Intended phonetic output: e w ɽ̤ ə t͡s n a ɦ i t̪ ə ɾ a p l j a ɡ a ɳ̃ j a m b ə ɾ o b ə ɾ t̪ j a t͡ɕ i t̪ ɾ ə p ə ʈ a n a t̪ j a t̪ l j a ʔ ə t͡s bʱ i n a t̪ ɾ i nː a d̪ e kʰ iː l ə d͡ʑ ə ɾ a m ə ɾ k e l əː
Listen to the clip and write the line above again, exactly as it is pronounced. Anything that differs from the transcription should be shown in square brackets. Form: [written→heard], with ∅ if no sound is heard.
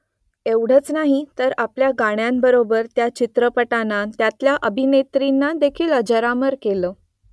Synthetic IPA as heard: e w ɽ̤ ə t͡s n a ɦ i t̪ ə ɾ a p l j a ɡ a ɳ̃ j a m b ə ɾ o b ə ɾ t̪ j a t͡ɕ i t̪ ɾ ə p ə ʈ a n a t̪ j a t̪ l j a ʔ ə [t͡s→∅] bʱ i n [a→e] t̪ ɾ i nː a d̪ e kʰ iː l ə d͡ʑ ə ɾ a m ə ɾ k e l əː